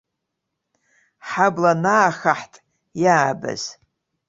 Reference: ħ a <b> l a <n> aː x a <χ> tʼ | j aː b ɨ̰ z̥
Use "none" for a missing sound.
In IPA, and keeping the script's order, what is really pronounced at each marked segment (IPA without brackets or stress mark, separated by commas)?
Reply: b, n, ħ